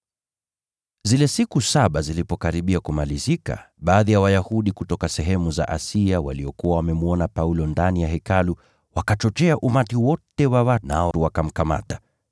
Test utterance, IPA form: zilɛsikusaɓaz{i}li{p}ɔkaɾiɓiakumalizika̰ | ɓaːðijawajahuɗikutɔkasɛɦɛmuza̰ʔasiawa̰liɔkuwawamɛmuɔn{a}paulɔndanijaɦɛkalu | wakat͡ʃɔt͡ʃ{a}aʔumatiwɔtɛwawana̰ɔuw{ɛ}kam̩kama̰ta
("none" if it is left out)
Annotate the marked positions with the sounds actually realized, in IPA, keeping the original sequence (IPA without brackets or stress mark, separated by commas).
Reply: i, p, a, ɛ, a